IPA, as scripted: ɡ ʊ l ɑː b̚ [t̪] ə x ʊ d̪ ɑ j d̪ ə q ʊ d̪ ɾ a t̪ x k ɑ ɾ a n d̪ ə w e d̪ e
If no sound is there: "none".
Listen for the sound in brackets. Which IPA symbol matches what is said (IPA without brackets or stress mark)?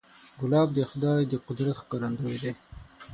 d̪